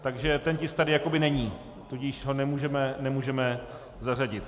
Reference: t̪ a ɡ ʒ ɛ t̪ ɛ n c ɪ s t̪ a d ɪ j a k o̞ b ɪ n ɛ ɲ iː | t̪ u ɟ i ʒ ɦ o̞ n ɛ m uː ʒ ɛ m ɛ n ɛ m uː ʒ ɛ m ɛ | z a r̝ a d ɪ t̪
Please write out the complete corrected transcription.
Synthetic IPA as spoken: t̪ a ɡ ʒ ɛ t̪ ɛ n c ɪ s t̪ a d ɪ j a k o̞ b ɪ n ɛ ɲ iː | t̪ u ɟ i ʃ ɦ o̞ n ɛ m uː ʒ ɛ m ɛ n ɛ m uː ʒ ɛ m ɛ | z a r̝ a ɟ ɪ t̪